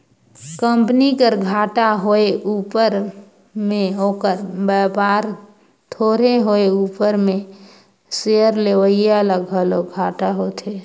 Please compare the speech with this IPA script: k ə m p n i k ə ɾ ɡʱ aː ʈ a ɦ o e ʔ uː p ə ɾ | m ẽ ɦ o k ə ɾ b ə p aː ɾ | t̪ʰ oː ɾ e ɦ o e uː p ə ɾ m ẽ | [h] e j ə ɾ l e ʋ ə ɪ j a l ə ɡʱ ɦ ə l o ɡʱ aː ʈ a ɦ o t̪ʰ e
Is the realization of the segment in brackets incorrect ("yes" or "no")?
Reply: yes